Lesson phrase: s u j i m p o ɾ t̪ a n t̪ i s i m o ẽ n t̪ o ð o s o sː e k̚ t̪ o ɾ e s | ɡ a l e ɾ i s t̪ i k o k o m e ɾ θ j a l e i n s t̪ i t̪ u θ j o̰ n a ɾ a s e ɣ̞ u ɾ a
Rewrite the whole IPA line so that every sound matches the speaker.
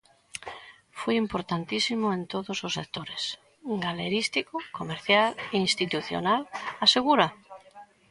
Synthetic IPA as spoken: f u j i m p o ɾ t̪ a n t̪ i s i m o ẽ n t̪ o ð o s o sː e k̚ t̪ o ɾ e s | ɡ a l e ɾ i s t̪ i k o k o m e ɾ θ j a l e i n s t̪ i t̪ u θ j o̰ n a l a s e ɣ̞ u ɾ a

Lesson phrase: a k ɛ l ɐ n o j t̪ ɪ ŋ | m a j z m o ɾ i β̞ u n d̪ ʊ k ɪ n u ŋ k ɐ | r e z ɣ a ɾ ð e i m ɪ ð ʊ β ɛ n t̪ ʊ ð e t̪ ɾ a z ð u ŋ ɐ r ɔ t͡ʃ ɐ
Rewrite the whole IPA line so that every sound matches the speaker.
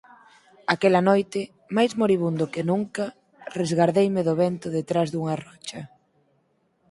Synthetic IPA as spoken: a k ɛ l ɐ n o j t̪ ɪ | m a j z m o ɾ i β̞ u n d̪ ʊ k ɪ n u ŋ k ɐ | r e z ɣ a ɾ ð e j m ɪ ð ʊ β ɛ n t̪ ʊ ð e t̪ ɾ a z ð u ŋ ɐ r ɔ t͡ʃ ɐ

